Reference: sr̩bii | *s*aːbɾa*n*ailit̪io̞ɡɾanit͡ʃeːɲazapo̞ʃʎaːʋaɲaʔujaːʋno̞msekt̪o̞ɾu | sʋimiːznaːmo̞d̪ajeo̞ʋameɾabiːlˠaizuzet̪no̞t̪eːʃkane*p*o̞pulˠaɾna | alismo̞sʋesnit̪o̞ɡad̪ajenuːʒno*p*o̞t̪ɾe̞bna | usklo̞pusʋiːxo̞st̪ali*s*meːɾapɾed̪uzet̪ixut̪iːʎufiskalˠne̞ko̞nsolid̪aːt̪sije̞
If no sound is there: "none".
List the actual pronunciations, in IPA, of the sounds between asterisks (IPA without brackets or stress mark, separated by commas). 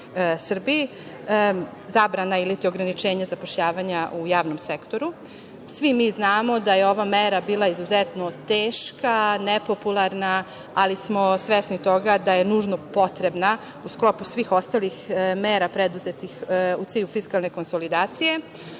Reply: z, n, p, p, x